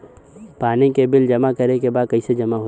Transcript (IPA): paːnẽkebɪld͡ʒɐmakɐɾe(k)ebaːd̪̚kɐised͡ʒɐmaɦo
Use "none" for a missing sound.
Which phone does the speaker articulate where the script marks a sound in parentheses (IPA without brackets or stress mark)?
k